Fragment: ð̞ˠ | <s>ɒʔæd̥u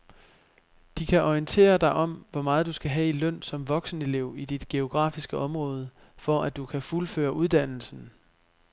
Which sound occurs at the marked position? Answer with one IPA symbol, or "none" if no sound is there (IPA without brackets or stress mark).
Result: f